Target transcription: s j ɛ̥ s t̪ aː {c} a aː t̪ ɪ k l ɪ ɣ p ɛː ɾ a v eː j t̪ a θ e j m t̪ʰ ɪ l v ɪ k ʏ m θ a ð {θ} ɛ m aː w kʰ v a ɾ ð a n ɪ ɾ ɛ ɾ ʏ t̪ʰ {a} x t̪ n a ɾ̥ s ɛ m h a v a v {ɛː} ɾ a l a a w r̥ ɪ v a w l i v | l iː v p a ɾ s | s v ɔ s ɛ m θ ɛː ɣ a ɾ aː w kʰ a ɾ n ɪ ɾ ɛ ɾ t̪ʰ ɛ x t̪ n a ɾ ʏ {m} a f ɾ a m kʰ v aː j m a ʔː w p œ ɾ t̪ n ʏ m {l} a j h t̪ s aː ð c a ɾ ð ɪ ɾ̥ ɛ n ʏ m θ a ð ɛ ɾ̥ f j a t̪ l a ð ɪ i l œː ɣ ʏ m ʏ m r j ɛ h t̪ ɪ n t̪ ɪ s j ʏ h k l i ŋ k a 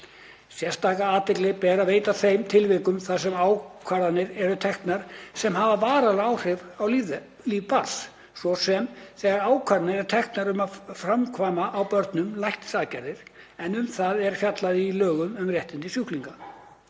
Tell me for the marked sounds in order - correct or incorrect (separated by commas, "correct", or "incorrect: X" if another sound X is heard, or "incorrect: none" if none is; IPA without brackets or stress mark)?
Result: incorrect: k, incorrect: s, incorrect: ɛ, incorrect: aː, correct, correct